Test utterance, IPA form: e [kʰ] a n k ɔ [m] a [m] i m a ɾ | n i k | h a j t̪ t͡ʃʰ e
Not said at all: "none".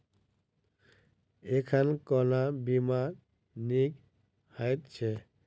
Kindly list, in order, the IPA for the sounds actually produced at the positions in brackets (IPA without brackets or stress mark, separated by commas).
kʰ, n, b